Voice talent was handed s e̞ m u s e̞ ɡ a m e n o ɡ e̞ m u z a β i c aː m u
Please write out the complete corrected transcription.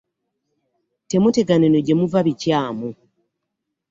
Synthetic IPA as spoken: t e̞ m u t e̞ ɡ a n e n o ɟ e̞ m u v a β i c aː m u